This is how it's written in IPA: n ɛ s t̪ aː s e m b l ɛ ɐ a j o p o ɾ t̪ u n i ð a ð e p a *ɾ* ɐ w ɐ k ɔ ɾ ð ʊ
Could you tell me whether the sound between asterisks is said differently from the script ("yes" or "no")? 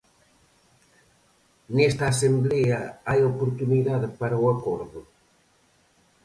no